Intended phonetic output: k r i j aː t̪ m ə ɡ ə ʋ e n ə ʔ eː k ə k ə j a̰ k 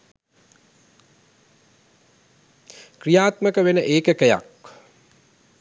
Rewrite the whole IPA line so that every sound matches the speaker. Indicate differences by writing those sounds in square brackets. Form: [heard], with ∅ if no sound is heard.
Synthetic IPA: k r i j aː t̪ m ə [k] ə ʋ e n ə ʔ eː k ə k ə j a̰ k